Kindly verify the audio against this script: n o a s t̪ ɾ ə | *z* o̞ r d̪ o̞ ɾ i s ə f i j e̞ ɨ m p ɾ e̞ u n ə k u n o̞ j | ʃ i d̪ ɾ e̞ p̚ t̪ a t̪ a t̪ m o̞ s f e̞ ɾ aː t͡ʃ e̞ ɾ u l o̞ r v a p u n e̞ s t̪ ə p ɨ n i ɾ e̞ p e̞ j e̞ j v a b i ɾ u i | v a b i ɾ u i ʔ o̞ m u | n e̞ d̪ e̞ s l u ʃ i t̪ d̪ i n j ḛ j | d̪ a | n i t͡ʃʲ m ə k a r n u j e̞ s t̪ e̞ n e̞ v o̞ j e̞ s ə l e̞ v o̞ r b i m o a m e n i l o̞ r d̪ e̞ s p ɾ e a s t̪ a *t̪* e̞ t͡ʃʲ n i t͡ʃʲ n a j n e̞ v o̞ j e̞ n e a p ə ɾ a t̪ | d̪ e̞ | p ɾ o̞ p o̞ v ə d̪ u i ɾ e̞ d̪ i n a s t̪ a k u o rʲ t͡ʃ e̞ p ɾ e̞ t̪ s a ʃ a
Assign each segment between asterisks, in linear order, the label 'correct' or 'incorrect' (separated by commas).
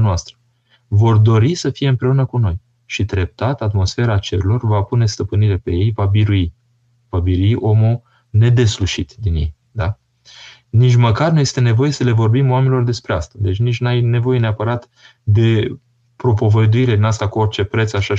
incorrect, incorrect